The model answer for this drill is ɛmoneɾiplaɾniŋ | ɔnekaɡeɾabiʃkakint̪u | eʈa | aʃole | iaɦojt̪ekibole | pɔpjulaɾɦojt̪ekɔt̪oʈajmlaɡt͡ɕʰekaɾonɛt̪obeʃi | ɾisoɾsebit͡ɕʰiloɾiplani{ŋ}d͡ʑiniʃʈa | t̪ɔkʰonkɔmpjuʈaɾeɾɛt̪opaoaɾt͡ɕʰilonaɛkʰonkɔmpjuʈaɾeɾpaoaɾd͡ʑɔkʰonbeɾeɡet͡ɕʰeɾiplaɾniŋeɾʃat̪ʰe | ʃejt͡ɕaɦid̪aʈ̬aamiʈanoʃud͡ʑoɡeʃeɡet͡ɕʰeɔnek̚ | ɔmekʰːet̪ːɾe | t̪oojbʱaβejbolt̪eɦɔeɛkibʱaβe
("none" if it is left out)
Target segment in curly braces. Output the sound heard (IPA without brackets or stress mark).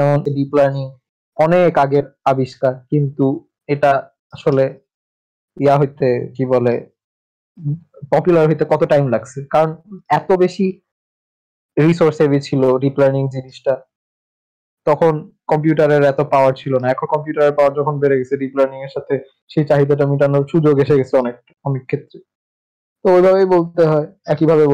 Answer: ŋ